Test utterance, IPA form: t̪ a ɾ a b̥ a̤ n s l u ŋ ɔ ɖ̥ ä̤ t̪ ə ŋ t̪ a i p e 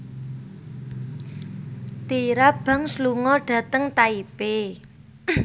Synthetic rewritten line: t̪ i ɾ a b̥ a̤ ŋ s l u ŋ ɔ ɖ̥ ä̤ t̪ ə ŋ t̪ a i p e